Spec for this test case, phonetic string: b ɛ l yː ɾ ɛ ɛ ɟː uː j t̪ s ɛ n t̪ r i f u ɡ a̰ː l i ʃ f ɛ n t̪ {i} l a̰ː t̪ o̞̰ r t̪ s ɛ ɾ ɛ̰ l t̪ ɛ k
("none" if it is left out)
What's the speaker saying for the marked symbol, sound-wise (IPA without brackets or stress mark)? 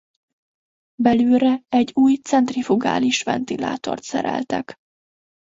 i